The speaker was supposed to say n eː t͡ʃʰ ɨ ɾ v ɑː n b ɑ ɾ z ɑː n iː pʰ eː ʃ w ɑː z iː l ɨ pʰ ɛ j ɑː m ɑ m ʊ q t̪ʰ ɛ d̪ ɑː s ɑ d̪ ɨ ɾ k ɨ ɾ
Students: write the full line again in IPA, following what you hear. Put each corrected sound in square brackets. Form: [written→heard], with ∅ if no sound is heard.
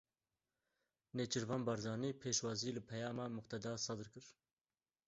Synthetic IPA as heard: n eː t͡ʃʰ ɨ ɾ v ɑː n b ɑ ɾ z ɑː n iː pʰ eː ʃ w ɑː z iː l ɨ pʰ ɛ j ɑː m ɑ m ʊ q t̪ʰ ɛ d̪ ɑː s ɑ d̪ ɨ ɾ k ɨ ɾ